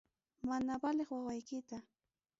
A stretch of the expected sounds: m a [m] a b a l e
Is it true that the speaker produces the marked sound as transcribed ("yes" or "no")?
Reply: no